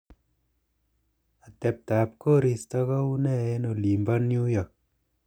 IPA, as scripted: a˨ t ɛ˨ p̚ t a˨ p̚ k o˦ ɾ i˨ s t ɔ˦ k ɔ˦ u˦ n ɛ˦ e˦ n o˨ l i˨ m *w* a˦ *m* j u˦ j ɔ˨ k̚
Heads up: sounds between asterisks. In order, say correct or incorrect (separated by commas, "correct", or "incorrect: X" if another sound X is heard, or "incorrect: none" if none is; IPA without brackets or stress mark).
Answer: incorrect: b, incorrect: n